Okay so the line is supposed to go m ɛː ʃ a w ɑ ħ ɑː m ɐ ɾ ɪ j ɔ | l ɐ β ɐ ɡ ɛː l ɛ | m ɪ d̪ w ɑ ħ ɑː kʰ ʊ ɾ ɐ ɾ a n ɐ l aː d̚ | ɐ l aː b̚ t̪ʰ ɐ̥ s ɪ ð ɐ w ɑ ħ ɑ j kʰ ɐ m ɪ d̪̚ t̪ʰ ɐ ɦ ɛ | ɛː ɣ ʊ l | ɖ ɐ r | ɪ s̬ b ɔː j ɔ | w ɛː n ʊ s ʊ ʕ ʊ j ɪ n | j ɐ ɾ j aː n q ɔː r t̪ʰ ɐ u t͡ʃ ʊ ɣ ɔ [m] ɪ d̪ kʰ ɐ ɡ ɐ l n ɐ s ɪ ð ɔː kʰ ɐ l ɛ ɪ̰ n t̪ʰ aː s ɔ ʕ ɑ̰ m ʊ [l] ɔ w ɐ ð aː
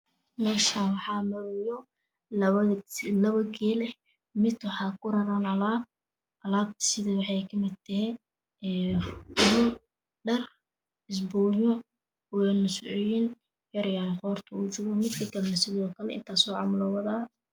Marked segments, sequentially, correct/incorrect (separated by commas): correct, correct